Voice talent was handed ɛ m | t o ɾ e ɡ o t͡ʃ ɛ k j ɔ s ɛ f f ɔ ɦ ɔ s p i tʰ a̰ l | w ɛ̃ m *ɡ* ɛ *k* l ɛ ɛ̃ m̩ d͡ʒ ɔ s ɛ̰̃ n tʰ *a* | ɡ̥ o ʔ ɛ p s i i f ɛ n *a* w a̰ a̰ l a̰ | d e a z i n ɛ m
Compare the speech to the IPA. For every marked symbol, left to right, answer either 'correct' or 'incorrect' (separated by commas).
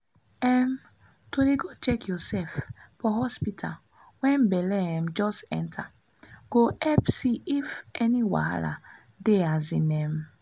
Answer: incorrect, incorrect, correct, incorrect